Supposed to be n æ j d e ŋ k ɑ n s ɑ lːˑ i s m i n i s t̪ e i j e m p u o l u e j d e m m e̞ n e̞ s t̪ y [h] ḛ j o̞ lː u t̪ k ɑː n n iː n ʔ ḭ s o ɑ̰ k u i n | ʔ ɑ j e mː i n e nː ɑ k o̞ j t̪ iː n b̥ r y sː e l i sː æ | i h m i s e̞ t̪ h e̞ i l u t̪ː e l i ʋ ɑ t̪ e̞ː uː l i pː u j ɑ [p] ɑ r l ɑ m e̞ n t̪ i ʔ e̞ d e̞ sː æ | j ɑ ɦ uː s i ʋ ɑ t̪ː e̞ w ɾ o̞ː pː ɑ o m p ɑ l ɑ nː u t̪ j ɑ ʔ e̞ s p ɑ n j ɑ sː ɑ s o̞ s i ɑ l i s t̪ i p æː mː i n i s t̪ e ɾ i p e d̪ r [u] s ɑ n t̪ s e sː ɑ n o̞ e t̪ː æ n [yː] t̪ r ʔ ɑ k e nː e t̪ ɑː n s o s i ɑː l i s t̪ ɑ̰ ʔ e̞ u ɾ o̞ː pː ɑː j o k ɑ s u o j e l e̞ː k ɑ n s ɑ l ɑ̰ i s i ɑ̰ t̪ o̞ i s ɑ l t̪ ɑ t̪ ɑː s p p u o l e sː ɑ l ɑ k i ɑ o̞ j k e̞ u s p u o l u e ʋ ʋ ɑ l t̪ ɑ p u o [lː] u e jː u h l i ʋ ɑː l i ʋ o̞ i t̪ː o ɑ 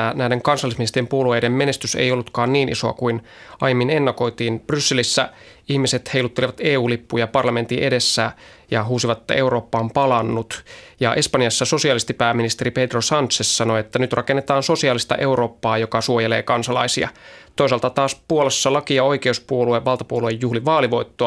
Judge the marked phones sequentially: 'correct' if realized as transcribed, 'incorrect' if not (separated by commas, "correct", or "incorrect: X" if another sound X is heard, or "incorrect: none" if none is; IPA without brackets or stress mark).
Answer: incorrect: s, correct, incorrect: o, incorrect: y, incorrect: l